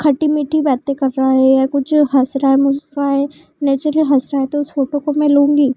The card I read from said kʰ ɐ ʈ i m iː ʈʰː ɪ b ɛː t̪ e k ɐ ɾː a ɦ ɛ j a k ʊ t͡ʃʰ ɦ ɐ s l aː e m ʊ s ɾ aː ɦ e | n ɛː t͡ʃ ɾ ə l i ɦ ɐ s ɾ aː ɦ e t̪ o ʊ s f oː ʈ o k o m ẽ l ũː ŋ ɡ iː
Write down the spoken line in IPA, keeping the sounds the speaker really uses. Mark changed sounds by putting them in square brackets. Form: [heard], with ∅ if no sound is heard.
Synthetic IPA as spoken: kʰ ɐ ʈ i m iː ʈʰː [i] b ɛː t̪ e k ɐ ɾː a ɦ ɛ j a k ʊ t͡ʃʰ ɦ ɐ s [ɾ] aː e m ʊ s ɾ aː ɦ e | n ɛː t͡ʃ ɾ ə l i ɦ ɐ s ɾ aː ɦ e t̪ o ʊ s f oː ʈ o k o m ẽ l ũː ŋ ɡ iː